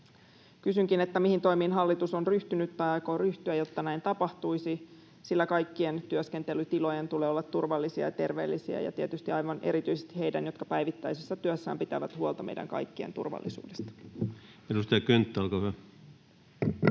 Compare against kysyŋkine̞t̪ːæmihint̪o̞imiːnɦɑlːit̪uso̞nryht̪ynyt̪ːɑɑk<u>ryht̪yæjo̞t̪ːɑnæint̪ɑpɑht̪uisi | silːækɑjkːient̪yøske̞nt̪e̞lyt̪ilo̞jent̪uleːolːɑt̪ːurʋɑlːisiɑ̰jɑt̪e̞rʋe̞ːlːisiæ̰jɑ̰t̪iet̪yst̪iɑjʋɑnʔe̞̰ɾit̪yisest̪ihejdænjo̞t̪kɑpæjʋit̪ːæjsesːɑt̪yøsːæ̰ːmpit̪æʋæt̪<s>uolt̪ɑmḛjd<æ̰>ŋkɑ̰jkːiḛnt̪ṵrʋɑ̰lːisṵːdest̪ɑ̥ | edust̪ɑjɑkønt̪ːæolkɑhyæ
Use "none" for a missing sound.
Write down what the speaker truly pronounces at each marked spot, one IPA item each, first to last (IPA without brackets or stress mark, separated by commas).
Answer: o, h, æ̰